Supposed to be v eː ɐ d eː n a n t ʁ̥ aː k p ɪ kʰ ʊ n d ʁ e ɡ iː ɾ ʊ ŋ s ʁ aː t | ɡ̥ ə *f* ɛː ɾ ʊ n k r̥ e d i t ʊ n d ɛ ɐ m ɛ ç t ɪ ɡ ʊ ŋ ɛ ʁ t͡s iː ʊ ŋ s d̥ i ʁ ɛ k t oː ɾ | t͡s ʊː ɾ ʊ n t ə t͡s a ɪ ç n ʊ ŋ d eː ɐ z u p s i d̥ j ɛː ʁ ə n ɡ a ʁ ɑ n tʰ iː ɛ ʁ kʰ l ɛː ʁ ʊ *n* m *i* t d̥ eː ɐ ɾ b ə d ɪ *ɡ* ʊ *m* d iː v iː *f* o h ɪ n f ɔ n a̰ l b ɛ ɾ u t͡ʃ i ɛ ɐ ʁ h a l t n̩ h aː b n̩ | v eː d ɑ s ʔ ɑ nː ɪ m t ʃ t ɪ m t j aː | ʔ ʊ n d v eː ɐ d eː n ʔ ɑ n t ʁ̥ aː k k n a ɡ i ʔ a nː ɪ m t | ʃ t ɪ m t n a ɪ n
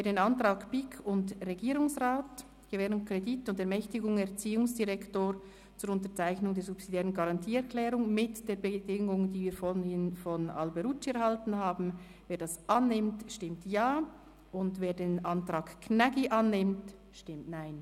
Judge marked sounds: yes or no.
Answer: no, no, no, no, no, yes

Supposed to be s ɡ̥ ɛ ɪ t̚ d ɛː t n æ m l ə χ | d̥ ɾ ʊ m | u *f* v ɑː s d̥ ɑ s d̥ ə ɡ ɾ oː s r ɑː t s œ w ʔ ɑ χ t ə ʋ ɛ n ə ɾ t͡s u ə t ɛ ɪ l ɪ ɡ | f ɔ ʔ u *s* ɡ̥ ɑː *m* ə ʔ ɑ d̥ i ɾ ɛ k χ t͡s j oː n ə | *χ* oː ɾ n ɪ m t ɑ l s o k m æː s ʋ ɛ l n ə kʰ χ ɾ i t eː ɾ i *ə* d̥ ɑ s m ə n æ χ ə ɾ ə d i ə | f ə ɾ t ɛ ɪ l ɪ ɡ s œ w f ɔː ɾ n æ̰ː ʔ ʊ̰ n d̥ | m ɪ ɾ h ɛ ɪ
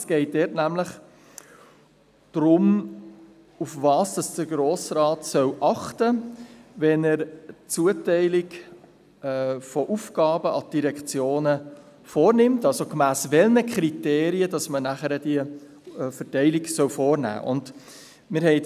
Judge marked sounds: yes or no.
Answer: yes, no, no, no, yes

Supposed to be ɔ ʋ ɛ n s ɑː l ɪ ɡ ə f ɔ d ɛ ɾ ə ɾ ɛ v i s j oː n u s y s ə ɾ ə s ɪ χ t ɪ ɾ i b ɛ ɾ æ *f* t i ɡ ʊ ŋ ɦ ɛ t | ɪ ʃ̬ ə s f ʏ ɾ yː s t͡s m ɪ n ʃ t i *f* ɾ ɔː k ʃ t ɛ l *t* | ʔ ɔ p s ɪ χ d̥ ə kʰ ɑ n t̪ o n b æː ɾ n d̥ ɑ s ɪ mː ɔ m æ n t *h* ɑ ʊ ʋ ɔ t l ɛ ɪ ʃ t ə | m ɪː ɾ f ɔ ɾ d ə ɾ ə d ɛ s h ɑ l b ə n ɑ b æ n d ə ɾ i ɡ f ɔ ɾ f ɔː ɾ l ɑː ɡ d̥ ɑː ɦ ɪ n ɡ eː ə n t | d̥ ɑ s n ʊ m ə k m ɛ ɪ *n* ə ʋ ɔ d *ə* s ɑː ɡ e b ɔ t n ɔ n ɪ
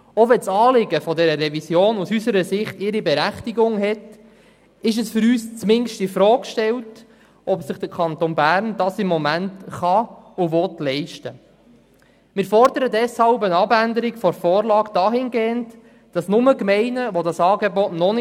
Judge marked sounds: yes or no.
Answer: no, yes, yes, no, yes, no

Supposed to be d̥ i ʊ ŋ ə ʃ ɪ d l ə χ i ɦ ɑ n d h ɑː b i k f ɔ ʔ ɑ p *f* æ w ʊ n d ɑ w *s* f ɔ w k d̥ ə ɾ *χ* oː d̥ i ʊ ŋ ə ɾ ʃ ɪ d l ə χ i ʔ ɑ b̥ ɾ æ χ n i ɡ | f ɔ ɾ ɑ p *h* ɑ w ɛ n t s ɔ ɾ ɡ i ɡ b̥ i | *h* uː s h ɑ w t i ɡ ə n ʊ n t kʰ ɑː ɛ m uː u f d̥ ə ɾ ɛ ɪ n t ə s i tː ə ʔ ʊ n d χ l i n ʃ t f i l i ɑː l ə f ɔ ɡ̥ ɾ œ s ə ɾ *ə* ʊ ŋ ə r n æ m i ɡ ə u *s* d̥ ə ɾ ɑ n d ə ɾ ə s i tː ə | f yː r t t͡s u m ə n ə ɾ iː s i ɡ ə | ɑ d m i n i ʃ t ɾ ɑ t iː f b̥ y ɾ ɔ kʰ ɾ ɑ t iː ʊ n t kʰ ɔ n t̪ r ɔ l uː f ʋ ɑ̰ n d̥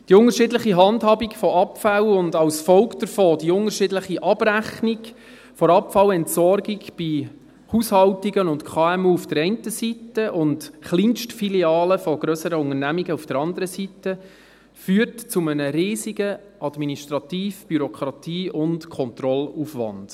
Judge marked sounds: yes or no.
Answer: yes, yes, no, no, yes, yes, no

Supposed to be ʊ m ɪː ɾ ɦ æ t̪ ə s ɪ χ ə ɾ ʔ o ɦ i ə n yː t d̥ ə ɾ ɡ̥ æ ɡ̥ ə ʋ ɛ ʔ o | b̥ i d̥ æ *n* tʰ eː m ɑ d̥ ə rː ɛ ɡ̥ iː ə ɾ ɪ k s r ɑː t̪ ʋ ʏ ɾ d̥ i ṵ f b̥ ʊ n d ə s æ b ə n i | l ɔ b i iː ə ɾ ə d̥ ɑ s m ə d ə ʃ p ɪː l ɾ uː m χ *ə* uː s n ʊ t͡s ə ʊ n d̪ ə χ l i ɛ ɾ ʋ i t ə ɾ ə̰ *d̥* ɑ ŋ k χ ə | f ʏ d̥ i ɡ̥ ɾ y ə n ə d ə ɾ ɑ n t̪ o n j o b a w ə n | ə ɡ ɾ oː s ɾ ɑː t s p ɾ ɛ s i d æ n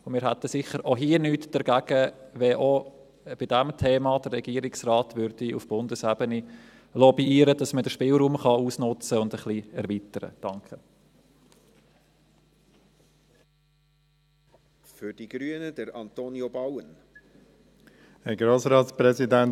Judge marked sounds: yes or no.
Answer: no, no, yes

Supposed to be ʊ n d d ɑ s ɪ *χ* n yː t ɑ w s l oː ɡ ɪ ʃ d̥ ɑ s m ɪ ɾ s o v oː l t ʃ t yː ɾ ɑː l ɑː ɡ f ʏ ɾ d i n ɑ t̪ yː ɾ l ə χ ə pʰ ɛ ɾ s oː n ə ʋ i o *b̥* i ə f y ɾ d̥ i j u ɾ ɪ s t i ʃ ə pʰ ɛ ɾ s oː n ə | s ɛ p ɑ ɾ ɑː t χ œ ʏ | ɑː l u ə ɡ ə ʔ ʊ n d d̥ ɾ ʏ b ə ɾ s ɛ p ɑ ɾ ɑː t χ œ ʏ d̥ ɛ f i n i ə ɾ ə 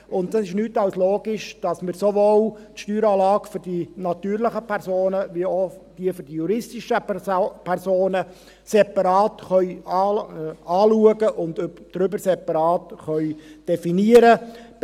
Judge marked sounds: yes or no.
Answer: no, no

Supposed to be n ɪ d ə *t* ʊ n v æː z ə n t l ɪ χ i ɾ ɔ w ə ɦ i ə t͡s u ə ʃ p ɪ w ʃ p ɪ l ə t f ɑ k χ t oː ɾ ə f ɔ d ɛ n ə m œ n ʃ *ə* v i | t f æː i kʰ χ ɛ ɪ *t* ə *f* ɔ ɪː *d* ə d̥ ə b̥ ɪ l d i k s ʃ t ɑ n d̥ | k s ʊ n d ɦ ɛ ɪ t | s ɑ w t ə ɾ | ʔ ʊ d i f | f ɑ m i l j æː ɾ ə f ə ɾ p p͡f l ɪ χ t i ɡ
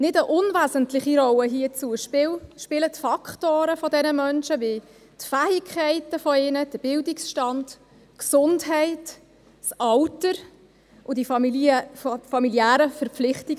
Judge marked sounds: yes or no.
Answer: no, yes, yes, yes, no

